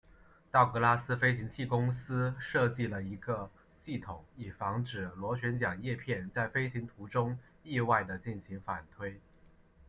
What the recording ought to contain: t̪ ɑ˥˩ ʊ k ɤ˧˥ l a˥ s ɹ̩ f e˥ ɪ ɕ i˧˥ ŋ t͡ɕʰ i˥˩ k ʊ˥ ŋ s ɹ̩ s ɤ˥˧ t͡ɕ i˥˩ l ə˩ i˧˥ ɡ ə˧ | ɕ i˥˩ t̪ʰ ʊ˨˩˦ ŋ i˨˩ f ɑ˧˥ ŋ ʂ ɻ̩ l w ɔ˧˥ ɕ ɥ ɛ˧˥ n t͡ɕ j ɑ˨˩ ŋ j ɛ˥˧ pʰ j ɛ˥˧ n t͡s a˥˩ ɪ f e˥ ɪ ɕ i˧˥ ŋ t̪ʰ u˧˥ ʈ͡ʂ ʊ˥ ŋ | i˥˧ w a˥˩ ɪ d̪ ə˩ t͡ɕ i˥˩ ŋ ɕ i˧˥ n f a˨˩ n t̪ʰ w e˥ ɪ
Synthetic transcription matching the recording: t̪ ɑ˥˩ ʊ k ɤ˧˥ l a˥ s ɹ̩ f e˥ ɪ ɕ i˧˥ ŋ t͡ɕʰ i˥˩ k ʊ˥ ŋ s ɹ̩ ʂ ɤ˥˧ t͡ɕ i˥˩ l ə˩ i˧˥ ɡ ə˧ | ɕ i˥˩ t̪ʰ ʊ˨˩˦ ŋ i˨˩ f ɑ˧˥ ŋ ʈ͡ʂ ɻ̩ l w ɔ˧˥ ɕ ɥ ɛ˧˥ n t͡ɕ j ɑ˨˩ ŋ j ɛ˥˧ pʰ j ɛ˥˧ n t͡s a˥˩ ɪ f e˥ ɪ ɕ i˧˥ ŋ t̪ʰ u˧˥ ʈ͡ʂ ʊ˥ ŋ | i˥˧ w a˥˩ ɪ d̪ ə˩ t͡ɕ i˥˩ n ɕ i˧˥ ŋ f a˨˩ n t̪ʰ w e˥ ɪ